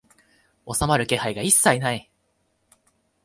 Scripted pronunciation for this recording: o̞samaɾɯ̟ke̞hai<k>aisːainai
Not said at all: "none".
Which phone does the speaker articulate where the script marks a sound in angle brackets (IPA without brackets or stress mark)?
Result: ɡ